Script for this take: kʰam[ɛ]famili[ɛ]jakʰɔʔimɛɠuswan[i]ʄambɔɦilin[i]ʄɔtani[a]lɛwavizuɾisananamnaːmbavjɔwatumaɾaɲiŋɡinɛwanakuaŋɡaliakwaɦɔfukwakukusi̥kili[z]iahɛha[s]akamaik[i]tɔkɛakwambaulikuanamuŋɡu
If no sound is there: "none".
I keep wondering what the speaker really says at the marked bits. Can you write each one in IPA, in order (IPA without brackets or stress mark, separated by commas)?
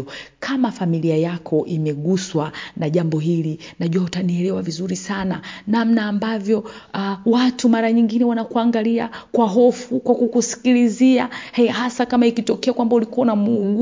a, a, a, a, ɛ, z, s, i